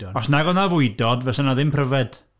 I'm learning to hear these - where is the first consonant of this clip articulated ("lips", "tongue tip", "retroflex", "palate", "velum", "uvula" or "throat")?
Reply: tongue tip